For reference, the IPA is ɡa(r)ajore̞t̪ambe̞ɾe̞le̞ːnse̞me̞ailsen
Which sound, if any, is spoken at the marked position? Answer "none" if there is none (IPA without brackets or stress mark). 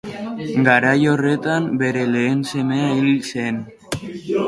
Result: ɾ